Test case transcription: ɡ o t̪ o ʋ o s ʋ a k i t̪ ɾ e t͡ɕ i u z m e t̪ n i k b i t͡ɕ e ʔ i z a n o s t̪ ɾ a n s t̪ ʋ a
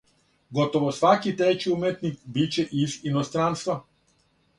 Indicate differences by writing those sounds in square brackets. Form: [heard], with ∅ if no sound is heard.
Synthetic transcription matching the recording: ɡ o t̪ o ʋ o s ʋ a k i t̪ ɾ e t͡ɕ i u [∅] m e t̪ n i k b i t͡ɕ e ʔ i z [i] n o s t̪ ɾ a n s t̪ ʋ a